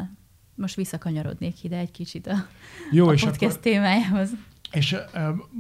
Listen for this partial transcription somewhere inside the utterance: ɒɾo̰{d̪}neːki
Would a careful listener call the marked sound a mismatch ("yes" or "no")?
no